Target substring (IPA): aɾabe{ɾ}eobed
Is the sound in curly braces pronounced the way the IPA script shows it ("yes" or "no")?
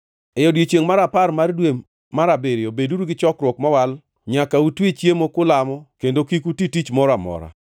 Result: yes